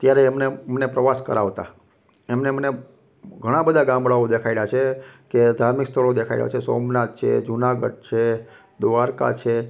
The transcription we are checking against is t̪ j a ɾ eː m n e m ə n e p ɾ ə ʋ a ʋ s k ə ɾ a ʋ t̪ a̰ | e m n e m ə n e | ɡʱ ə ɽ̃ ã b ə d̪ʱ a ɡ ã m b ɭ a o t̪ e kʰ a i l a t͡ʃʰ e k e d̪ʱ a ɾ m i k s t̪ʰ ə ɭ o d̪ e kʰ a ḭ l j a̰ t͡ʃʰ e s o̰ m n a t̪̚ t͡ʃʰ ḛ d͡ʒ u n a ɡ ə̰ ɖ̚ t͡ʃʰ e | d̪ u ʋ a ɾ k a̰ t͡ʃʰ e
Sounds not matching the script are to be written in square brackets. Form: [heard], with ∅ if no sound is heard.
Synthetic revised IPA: t̪ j a ɾ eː m n e m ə n e p ɾ ə ʋ a [∅] s k ə ɾ a ʋ t̪ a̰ | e m n e m ə n e | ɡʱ ə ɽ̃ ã b ə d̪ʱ a ɡ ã m b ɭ a o [d̪] e kʰ a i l a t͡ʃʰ e k e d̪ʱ a ɾ m i k s t̪ʰ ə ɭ o d̪ e kʰ a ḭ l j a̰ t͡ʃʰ e s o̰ m n a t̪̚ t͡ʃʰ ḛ d͡ʒ u n a ɡ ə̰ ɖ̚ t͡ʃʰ e | d̪ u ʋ a ɾ k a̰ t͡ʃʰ e